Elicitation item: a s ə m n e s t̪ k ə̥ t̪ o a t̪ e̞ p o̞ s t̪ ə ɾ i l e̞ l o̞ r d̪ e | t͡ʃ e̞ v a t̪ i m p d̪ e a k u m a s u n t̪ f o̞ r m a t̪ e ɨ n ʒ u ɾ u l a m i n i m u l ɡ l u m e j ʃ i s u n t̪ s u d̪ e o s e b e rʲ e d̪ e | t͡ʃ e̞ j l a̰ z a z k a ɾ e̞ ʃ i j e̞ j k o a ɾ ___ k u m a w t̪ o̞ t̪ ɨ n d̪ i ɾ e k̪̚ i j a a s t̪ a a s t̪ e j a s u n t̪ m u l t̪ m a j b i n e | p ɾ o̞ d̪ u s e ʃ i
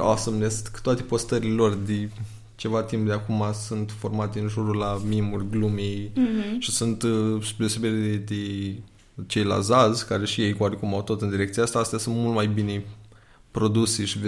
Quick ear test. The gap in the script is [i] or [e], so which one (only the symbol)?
e